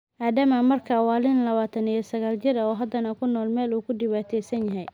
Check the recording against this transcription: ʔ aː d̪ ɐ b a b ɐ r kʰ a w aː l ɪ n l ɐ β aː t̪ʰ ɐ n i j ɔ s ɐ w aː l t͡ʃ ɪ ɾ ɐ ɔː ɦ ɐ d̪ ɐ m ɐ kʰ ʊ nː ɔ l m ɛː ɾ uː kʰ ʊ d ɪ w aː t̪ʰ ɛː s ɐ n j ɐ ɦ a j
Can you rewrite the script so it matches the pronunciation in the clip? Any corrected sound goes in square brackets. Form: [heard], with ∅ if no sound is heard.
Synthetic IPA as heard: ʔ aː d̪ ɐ [m] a [m] ɐ r kʰ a w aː l ɪ n l ɐ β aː t̪ʰ ɐ n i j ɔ s ɐ [ɣ] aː l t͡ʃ ɪ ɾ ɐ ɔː ɦ ɐ d̪ ɐ [n] ɐ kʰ ʊ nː [ɔː] l m ɛː [l] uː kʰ ʊ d ɪ w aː t̪ʰ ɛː s ɐ n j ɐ ɦ [ɛ] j